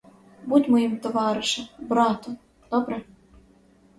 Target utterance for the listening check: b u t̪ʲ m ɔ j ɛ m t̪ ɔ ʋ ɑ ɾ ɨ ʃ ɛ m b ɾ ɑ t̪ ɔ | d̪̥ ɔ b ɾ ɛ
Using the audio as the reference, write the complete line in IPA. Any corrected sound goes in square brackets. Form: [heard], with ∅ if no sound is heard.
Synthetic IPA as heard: b u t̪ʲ m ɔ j [i] m t̪ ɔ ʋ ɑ ɾ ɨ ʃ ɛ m b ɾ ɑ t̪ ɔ | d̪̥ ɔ b ɾ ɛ